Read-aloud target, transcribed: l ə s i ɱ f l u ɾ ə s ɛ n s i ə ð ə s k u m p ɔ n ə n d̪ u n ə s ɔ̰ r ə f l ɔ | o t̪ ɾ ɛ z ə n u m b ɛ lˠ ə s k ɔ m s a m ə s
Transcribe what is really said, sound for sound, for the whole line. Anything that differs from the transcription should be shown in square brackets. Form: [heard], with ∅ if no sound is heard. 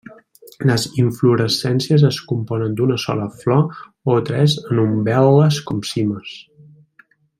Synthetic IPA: l ə [z] i ɱ f l u ɾ ə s ɛ n s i ə [z] ə s k u m p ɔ n ə n d̪ u n ə s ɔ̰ [l] ə f l ɔ | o t̪ ɾ ɛ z ə n u m b ɛ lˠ ə s k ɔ m s [i] m ə s